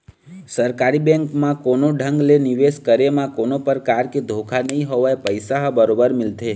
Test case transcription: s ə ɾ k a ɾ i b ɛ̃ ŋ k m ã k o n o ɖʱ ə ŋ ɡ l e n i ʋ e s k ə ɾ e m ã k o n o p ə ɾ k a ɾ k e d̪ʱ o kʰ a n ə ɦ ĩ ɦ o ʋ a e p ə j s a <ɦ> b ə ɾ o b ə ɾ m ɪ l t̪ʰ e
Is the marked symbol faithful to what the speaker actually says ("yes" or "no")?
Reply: yes